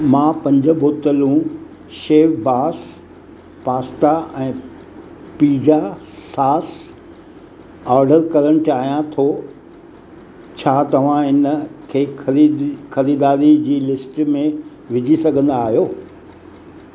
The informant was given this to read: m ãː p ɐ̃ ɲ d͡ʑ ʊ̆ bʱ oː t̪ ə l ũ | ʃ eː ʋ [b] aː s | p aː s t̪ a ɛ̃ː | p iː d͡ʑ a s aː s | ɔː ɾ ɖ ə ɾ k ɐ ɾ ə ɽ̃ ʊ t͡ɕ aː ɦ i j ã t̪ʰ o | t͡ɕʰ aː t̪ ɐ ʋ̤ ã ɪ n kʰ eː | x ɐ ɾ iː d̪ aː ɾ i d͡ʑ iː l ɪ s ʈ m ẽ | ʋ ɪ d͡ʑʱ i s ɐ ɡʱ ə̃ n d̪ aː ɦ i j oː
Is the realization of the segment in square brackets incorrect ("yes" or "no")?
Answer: no